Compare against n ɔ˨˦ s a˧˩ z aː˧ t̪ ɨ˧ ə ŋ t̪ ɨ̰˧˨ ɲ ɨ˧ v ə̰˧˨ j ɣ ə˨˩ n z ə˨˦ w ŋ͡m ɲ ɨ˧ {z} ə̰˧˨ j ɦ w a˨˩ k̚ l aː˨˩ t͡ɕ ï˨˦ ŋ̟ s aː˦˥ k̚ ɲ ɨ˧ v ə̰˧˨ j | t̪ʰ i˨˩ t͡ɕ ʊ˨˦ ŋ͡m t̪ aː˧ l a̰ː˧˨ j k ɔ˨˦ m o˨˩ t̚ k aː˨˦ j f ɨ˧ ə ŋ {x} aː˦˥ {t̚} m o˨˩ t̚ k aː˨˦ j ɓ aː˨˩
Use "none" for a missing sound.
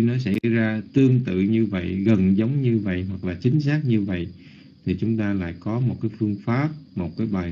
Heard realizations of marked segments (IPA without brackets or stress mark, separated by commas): v, f, p̚